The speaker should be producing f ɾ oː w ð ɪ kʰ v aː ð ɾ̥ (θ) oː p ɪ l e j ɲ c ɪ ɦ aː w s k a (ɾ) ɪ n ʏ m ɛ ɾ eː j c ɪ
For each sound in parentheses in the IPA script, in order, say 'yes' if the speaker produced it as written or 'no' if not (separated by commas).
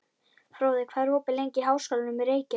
no, no